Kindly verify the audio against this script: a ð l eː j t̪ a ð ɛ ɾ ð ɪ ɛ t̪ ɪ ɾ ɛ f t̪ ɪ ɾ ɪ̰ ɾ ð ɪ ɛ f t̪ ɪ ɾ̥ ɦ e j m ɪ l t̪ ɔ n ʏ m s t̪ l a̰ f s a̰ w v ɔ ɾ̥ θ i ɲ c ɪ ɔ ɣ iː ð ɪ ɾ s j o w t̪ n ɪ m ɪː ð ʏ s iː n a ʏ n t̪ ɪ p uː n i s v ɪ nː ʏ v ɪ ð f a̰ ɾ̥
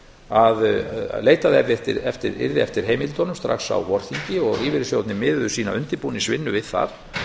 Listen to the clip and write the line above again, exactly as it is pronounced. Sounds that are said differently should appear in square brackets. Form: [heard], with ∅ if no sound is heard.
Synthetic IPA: a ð l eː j t̪ a ð ɛ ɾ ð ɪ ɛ t̪ ɪ ɾ ɛ f t̪ ɪ ɾ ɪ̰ ɾ ð ɪ ɛ f t̪ ɪ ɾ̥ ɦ e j m ɪ l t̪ ɔ n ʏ m s t̪ [ɾ] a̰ [x] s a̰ w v ɔ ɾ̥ θ i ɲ c ɪ ɔ ɣ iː [v] ɪ ɾ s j o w t̪ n ɪ m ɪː ð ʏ s iː n a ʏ n t̪ ɪ p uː n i s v ɪ nː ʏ v ɪ ð [θ] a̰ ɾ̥